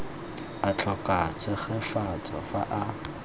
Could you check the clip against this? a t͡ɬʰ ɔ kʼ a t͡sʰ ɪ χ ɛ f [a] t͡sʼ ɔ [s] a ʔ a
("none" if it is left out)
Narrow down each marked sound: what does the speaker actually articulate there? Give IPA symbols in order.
a, f

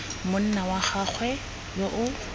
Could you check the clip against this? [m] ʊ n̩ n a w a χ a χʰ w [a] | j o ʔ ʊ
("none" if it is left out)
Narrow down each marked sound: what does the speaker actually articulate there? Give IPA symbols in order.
m, ɛ

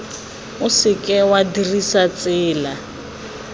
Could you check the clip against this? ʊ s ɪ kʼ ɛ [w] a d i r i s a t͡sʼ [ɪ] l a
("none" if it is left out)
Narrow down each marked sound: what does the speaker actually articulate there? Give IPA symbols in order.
w, ɪː

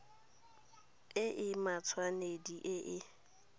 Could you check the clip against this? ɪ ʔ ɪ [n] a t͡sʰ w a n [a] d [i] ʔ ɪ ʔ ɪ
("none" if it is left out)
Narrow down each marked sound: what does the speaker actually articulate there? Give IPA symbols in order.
m, e, i

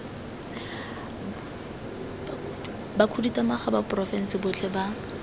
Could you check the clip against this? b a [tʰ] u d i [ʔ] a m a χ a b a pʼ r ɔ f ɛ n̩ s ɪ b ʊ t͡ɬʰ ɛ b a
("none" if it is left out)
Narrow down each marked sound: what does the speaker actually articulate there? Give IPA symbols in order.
kʰ, t

